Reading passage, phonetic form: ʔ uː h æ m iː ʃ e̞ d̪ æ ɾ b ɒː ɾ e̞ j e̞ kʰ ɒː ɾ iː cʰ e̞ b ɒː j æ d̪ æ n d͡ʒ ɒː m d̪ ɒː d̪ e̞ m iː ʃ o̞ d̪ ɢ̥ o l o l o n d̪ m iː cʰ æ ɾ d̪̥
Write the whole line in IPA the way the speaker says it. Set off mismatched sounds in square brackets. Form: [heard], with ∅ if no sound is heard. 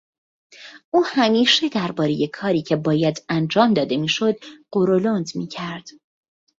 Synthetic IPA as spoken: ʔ uː h æ m iː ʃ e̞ d̪ æ ɾ b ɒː ɾ e̞ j e̞ kʰ ɒː ɾ iː cʰ e̞ b ɒː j æ d̪ æ n d͡ʒ ɒː m d̪ ɒː d̪ e̞ m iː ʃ o̞ d̪ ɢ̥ o [ɾ] o l o n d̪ m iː cʰ æ ɾ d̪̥